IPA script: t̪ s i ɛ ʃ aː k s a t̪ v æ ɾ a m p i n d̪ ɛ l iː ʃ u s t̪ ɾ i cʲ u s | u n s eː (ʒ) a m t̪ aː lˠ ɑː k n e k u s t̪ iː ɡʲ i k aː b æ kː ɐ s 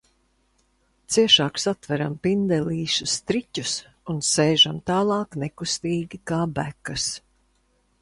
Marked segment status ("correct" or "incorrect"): correct